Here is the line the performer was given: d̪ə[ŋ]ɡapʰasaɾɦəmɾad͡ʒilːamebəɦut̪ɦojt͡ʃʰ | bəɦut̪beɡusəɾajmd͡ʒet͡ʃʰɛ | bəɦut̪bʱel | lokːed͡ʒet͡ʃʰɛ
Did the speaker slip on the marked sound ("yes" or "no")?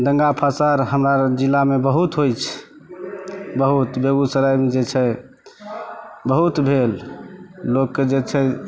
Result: no